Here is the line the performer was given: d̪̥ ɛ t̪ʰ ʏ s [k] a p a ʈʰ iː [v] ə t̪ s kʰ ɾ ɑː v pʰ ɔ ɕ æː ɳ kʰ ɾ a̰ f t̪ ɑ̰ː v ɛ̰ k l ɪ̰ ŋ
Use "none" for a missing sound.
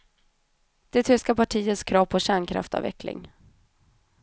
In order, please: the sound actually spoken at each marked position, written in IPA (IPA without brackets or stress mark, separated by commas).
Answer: k, none